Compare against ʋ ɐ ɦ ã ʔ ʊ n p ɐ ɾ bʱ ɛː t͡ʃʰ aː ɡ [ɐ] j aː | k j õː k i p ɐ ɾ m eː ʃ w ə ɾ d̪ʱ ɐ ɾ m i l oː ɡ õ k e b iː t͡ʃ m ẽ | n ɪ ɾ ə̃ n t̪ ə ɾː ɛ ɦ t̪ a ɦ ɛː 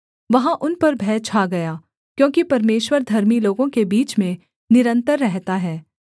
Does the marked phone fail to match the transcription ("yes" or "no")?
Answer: no